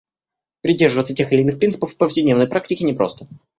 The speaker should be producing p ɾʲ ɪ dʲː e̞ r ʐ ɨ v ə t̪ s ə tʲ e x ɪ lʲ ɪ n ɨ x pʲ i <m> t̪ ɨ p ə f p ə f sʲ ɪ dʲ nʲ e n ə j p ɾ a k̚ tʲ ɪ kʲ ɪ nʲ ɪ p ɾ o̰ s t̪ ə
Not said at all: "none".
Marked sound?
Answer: n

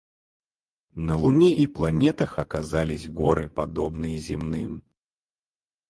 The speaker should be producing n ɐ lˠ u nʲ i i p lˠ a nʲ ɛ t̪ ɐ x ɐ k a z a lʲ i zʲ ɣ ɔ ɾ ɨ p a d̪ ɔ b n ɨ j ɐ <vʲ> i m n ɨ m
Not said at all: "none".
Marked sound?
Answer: zʲ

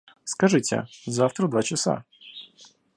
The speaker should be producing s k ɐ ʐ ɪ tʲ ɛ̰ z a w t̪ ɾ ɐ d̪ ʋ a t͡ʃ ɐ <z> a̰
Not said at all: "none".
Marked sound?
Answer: s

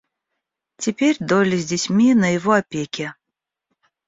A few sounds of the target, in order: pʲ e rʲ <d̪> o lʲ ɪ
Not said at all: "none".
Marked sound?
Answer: d̪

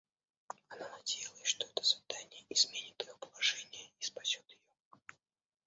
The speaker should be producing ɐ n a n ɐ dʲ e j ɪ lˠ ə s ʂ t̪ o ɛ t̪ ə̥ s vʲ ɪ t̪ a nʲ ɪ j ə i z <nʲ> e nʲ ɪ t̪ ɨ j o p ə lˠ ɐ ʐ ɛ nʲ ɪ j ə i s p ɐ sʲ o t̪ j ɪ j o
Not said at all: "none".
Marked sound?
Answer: mʲ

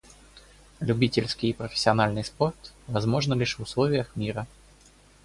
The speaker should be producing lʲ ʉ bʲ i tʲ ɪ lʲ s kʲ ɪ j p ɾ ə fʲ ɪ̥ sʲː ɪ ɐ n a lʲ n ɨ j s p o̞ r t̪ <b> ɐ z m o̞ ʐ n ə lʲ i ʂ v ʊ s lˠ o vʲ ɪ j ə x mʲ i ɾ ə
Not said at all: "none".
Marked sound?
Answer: v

